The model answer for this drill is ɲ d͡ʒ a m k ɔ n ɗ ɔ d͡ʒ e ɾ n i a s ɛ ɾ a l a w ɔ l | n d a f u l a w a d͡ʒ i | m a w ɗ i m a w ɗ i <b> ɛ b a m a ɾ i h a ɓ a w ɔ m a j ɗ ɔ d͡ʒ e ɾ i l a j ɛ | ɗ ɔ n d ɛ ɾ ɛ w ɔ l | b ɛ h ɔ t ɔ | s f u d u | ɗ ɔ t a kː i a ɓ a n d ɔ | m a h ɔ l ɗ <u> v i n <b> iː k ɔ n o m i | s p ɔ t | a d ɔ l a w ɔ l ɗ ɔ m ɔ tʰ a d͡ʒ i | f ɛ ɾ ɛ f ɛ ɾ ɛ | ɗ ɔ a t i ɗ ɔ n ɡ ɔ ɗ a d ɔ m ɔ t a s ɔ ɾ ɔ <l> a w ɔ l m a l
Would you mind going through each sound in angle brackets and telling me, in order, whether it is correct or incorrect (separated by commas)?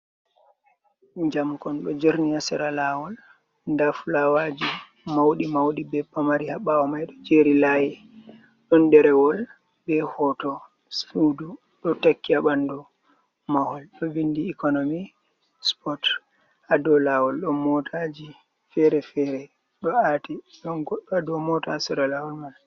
correct, incorrect, incorrect, correct